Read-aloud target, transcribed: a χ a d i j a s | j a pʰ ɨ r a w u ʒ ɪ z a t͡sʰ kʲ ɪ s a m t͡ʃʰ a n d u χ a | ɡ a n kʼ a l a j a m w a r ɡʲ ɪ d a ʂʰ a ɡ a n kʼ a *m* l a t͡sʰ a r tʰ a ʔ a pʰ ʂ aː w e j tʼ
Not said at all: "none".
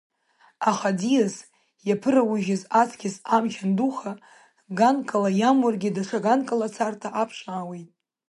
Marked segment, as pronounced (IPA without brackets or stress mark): none